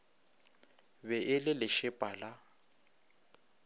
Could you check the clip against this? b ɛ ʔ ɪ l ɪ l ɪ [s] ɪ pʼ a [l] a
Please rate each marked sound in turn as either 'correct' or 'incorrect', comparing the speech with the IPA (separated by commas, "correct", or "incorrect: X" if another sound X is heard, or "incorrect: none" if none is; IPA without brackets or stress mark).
incorrect: ʃ, correct